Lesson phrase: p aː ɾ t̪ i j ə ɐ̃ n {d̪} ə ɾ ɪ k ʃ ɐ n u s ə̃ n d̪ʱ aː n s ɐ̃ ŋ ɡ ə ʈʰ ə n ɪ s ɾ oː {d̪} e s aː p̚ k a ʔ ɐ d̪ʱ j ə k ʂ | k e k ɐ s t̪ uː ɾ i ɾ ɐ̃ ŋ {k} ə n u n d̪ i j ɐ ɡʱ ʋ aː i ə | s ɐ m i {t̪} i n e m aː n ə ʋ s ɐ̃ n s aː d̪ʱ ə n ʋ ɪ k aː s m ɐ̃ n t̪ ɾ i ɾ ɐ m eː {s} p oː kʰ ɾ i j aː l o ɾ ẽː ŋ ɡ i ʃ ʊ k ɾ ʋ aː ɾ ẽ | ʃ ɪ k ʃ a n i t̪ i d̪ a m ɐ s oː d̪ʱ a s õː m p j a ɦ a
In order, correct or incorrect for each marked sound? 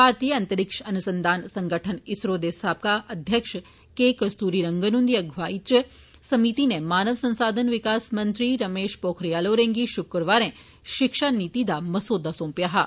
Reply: incorrect: t̪, correct, incorrect: ɡ, correct, incorrect: ʃ

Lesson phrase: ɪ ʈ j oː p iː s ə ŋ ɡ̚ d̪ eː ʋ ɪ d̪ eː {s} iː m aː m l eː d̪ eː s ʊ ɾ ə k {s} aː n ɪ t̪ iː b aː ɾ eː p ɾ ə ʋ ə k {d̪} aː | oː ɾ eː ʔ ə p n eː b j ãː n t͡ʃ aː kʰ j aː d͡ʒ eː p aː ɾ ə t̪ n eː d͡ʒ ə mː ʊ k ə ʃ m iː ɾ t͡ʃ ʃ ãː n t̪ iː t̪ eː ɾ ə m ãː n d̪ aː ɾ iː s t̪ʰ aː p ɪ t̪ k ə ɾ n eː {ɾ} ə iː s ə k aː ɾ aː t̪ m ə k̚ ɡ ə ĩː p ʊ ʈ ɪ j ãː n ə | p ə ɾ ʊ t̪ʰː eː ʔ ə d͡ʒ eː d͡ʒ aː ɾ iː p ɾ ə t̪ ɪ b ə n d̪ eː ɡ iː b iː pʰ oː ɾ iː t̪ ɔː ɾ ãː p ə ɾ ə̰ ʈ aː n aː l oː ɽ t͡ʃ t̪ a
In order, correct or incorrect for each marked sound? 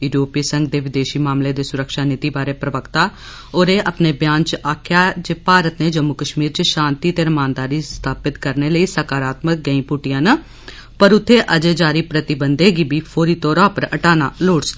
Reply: incorrect: ʃ, incorrect: ʃ, incorrect: t̪, incorrect: l

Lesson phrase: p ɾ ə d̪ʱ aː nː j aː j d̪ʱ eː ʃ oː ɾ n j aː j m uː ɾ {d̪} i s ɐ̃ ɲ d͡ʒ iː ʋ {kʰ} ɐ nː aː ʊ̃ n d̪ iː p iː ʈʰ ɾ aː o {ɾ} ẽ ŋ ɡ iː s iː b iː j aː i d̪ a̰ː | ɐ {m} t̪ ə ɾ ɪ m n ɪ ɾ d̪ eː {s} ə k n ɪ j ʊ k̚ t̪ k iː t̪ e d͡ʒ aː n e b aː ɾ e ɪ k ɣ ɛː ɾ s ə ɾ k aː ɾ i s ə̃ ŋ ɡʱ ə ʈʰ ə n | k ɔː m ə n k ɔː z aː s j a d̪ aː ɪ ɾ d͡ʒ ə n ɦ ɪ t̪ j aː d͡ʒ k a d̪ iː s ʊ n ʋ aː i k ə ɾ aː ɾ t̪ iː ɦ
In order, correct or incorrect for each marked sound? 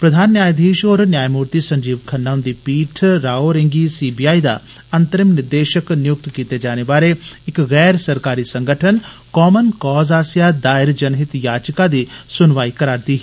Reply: incorrect: t̪, correct, correct, incorrect: n, incorrect: ʃ

